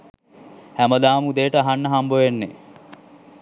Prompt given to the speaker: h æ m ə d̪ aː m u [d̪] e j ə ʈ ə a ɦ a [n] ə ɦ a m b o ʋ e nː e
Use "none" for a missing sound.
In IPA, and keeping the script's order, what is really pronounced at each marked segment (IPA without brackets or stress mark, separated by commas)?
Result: d̪, nː